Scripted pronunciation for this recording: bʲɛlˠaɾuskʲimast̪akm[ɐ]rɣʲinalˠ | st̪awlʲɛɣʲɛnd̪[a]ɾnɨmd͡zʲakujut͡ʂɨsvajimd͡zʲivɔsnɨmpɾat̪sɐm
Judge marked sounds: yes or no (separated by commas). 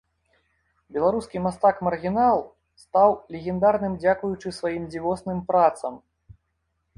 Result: yes, yes